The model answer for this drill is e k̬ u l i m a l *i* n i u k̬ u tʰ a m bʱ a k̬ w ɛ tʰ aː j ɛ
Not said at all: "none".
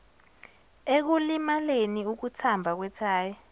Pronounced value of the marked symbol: e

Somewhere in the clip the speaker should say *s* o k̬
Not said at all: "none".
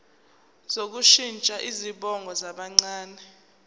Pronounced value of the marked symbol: z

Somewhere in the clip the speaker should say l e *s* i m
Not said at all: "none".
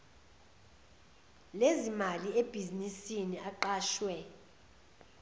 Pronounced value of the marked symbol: z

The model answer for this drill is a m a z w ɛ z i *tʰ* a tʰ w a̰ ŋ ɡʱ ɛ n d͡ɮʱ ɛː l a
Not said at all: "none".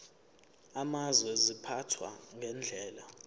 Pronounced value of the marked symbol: pʰ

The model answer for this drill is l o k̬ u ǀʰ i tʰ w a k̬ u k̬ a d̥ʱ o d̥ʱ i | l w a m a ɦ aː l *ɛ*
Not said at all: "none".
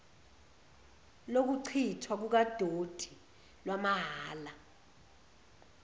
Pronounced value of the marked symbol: a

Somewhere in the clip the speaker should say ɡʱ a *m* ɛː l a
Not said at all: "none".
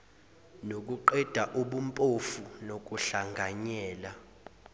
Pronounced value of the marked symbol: ɲ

